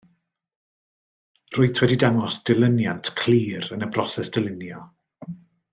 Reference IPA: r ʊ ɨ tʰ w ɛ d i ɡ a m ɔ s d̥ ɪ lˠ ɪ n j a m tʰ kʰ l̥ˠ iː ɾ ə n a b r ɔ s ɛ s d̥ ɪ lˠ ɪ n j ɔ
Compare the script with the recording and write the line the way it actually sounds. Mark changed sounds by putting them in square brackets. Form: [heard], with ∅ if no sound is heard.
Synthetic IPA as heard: r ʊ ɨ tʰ w ɛ d i [d] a [ŋ] ɔ s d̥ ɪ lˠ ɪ n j a [n] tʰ kʰ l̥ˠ iː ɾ ə n [ə] b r ɔ s ɛ s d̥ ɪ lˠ ɪ n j ɔ